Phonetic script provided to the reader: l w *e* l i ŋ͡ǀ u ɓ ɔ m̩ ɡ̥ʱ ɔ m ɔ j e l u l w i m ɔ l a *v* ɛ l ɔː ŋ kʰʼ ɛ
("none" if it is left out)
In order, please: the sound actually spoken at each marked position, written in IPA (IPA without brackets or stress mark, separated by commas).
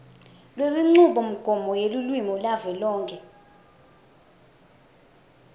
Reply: e, v